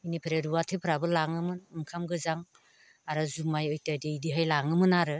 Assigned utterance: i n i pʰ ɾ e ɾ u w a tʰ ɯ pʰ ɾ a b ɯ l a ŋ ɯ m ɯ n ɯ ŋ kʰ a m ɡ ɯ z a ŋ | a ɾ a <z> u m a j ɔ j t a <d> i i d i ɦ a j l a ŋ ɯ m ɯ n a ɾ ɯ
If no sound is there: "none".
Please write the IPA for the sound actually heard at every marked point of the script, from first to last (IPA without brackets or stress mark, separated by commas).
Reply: z, d